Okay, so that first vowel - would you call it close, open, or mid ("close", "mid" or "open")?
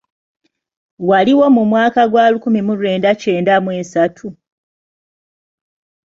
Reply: open